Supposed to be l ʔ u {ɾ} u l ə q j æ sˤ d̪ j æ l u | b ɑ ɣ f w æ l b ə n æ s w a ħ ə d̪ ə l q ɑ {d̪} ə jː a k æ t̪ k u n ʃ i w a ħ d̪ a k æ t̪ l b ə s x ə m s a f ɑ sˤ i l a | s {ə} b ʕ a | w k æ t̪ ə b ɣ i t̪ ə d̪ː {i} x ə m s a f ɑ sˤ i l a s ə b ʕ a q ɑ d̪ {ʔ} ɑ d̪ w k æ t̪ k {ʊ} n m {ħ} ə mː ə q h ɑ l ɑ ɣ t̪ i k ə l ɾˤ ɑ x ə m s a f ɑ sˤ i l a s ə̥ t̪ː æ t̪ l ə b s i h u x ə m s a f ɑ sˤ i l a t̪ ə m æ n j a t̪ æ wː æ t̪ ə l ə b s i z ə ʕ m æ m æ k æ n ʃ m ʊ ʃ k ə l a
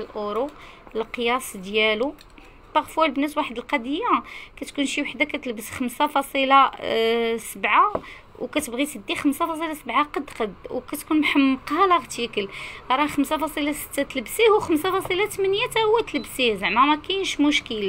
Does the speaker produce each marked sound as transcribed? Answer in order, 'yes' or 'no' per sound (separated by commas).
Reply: yes, yes, yes, yes, no, no, yes